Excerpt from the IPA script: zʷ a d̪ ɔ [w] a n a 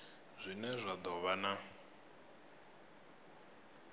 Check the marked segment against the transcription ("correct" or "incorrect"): incorrect